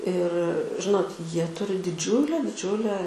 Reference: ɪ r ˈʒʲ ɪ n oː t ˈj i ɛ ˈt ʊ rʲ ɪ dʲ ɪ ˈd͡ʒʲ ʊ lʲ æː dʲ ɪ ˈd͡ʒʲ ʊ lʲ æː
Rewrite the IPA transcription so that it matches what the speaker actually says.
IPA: ɪ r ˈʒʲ ɪ n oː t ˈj i ɛ ˈt ʊ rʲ ɪ dʲ ɪ ˈd͡ʒʲ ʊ lʲ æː dʲ ɪ ˈd͡ʒʲ ʊ lʲ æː

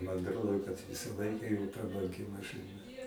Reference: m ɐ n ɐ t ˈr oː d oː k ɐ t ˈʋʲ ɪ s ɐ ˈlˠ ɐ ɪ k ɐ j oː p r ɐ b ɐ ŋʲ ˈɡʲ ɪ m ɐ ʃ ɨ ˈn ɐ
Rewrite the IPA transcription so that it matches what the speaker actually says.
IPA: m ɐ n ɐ t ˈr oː d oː k ɐ t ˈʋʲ ɪ s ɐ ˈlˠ ɐ ɪ k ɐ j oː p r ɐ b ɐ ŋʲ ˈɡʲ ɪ m ɐ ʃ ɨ ˈn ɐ

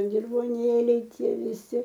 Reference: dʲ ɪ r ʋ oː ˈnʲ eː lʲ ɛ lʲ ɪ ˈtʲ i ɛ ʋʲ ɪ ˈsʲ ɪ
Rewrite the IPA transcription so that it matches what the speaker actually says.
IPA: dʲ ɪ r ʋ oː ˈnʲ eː lʲ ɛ ɪ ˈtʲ i ɛ ʋʲ ɪ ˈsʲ ɪ

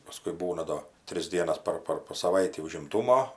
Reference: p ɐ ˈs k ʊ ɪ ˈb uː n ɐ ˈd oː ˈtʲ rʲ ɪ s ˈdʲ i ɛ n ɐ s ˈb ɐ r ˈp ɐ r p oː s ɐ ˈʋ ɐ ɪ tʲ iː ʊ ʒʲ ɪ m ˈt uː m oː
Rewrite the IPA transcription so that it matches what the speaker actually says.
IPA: p ɐ ˈs k ʊ ɪ ˈb uː n ɐ ˈd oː ˈtʲ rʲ ɪ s ˈdʲ i ɛ n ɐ s ˈp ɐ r ˈp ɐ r p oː s ɐ ˈʋ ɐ ɪ tʲ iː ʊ ʒʲ ɪ m ˈt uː m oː

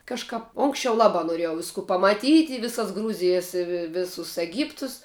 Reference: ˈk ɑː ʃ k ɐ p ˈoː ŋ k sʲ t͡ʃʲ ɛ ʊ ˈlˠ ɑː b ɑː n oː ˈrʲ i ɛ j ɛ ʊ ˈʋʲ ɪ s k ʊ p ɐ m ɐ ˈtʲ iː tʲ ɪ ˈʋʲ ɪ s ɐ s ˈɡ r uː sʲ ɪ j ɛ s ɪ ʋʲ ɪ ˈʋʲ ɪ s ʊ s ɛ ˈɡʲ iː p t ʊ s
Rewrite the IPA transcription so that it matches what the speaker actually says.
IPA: ˈk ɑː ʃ k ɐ p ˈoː ŋ k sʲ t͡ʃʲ ɛ ʊ ˈlˠ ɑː b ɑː n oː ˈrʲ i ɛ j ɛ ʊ ˈʋʲ ɪ s k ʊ p ɐ m ɐ ˈtʲ iː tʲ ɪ ˈʋʲ ɪ s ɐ s ˈɡ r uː zʲ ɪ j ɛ s ɪ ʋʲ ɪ ˈʋʲ ɪ s ʊ s ɛ ˈɡʲ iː p t ʊ s

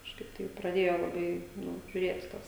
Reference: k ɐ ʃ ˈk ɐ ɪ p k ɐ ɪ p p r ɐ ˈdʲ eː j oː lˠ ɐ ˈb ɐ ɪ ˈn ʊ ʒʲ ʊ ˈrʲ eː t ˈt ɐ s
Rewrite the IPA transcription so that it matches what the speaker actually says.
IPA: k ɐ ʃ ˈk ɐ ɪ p t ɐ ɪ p p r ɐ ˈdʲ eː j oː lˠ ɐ ˈb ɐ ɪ ˈn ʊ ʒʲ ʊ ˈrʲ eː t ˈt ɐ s

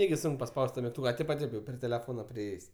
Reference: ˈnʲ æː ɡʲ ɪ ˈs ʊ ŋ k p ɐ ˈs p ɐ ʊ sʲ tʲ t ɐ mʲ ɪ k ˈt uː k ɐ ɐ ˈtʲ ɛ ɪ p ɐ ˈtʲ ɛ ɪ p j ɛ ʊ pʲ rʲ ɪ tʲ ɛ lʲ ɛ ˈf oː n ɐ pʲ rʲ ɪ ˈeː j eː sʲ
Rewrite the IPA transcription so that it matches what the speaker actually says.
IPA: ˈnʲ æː ɡʲ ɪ ˈs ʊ ŋ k p ɐ ˈs p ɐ ʊ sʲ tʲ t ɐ mʲ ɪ k ˈt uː k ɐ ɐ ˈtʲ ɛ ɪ p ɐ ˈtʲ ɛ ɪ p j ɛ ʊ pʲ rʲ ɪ tʲ ɛ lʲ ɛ ˈf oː n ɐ pʲ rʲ ɪ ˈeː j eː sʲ

